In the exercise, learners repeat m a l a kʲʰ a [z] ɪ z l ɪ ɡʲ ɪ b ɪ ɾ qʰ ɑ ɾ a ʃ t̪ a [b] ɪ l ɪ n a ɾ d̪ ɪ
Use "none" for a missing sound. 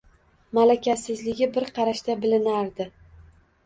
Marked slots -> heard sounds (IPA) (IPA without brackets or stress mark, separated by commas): s, b